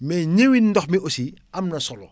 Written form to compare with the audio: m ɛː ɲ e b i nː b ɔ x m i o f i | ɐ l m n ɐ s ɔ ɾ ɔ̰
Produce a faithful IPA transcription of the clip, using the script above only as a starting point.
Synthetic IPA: m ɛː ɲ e w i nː d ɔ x m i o s i | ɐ m n ɐ s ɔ l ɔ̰

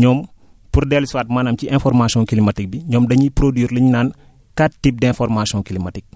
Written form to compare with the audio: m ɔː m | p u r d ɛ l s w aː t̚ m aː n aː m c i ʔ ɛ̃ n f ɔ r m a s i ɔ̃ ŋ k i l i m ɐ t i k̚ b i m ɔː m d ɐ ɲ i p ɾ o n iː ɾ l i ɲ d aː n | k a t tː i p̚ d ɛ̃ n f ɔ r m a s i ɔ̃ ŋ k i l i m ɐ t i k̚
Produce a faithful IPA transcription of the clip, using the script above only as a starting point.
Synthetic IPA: ɲ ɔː m | p u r d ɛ l s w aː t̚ m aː n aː m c i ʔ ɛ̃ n f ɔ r m a s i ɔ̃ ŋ k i l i m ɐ t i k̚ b i ɲ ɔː m d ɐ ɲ i p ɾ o d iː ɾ l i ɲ n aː n | k a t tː i p̚ d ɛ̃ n f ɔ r m a s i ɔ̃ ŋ k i l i m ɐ t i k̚

